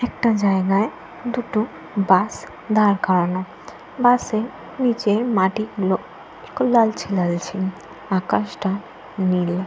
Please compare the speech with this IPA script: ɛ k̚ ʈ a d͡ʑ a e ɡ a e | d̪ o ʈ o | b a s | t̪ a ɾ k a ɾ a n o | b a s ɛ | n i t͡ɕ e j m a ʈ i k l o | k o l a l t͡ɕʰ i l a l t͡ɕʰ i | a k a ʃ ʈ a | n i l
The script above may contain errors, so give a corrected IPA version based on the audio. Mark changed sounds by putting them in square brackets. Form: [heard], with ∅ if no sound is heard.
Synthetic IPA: ɛ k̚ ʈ a d͡ʑ a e ɡ a e | d̪ [u] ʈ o | b a s | [d̪] a ɾ k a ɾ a n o | b a s [e] | n i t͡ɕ e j m a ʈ i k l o | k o l a l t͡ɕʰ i l a l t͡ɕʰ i | a k a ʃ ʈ a | n i l